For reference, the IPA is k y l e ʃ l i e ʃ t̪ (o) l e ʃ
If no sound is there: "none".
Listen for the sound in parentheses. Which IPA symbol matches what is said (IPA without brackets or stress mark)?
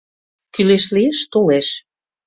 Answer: o